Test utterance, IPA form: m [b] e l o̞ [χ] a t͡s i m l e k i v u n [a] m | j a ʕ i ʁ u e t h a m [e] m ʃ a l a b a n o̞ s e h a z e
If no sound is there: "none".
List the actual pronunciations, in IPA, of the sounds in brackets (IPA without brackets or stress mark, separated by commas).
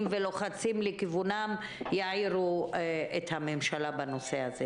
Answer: v, χ, a, e